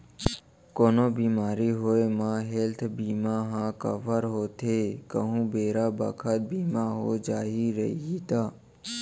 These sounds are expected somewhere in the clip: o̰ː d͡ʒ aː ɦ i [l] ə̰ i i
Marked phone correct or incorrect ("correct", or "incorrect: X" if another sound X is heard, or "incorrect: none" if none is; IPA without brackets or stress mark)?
incorrect: ɾ